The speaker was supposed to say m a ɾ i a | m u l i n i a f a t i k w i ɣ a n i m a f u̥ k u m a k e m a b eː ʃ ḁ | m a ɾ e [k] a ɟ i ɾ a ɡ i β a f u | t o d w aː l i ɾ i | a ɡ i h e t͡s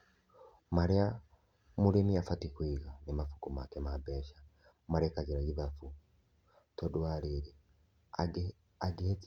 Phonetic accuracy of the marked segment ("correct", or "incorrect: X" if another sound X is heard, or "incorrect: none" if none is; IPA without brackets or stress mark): correct